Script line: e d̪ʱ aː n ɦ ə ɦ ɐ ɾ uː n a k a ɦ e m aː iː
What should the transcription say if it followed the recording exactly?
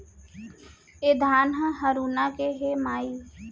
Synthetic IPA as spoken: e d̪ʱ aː n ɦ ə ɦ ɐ ɾ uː n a k e ɦ e m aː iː